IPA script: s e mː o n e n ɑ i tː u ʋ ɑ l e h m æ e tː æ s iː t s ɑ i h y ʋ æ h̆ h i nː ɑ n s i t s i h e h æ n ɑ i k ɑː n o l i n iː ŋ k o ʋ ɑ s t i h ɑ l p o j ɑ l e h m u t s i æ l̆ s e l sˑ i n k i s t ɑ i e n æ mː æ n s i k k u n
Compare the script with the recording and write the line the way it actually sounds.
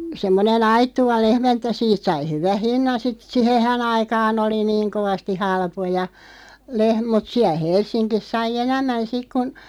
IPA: s e mː o n e n ɑ i tː u ʋ ɑ l e h m æ e tː æ s iː t s ɑ i h y ʋ æ h̆ h i nː ɑ n s i t s i h e h æ n ɑ i k ɑː n o l i n iː ŋ k o ʋ ɑ s t i h ɑ l p o j ɑ l e h m u t s i æ l̆ h e l sˑ i n k i s s ɑ i e n æ mː æ n s i k k u n